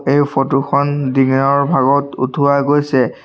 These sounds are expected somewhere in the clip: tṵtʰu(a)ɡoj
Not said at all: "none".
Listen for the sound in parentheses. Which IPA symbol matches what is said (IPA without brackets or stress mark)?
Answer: a